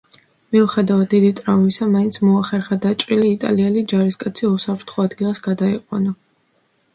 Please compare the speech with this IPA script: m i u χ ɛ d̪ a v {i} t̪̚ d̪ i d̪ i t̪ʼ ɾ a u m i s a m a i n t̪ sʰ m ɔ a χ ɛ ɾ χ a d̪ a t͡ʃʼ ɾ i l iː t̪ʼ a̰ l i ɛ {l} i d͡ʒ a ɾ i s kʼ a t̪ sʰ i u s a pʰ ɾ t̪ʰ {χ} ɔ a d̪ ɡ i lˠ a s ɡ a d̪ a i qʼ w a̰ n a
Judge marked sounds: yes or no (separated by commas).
no, yes, yes